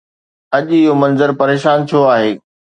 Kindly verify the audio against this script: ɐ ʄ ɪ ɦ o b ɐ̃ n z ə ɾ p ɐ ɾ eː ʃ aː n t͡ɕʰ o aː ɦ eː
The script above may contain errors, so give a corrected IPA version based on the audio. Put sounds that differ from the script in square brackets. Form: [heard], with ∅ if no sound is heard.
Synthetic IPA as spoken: ɐ ʄ ɪ ɦ o [m] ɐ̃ n z ə ɾ p ɐ ɾ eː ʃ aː n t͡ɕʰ o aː ɦ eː